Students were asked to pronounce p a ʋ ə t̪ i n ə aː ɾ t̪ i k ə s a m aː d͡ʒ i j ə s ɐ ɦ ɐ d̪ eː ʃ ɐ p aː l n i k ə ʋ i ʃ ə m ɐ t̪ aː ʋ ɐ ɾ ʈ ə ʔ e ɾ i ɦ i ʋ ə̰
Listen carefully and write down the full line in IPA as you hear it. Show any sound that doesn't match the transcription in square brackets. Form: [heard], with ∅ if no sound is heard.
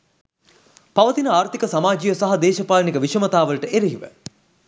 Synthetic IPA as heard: p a ʋ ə t̪ i n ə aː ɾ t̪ i k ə s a m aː d͡ʒ i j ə s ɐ ɦ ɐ d̪ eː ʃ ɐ p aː l n i k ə ʋ i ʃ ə m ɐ t̪ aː ʋ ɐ [l] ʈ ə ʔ e ɾ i ɦ i ʋ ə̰